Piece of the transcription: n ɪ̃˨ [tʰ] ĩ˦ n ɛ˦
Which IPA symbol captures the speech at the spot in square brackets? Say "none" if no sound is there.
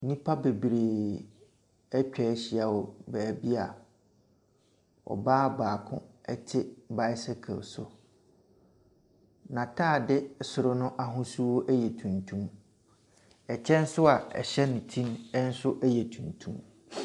tʰ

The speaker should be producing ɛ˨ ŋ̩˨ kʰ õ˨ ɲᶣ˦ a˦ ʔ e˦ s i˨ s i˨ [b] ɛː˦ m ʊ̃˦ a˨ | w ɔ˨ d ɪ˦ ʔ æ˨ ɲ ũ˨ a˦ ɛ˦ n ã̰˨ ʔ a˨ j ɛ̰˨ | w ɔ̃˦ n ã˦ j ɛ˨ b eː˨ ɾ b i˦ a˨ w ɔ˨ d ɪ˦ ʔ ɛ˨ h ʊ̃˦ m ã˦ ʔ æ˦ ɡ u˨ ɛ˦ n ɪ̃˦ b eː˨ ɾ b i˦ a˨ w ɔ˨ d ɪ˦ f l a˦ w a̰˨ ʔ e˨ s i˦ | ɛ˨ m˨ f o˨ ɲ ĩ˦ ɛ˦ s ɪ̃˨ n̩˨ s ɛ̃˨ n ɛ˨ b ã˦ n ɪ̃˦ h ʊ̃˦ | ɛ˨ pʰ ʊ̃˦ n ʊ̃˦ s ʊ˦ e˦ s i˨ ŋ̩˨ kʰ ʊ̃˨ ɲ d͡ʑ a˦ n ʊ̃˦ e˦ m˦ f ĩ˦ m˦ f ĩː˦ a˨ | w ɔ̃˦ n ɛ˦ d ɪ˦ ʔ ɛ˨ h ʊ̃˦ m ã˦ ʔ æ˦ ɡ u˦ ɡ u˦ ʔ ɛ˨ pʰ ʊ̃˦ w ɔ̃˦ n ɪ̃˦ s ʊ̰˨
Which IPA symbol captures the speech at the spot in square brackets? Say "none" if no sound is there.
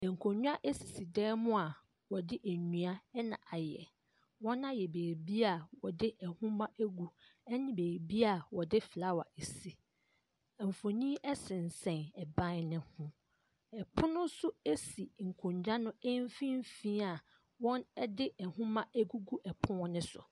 d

